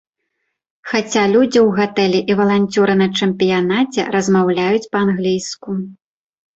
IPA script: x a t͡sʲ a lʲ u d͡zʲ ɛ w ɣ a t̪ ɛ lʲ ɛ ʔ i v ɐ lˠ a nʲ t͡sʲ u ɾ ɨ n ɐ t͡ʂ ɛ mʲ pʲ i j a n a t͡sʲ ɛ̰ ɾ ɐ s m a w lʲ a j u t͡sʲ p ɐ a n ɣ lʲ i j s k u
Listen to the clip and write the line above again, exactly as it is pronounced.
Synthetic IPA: x a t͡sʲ a lʲ u d͡zʲ i w ɣ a t̪ ɛ lʲ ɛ ʔ i v ɐ lˠ a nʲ t͡sʲ u ɾ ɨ n ɐ t͡ʂ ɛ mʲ pʲ i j a n a t͡sʲ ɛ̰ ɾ ɐ z m a w lʲ a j u t͡sʲ p ɐ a n ɣ lʲ i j s k u